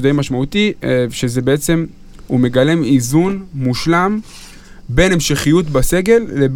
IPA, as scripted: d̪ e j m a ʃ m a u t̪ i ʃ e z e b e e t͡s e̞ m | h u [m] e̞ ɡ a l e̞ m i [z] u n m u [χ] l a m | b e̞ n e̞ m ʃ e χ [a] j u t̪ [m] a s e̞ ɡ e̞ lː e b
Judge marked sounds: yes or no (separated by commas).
yes, yes, no, no, no